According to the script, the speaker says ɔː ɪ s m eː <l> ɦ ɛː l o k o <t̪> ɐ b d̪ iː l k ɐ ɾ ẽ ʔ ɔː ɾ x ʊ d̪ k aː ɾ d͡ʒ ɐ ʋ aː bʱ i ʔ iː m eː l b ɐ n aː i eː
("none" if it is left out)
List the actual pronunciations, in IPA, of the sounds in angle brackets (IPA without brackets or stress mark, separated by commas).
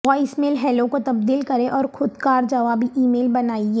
l, t̪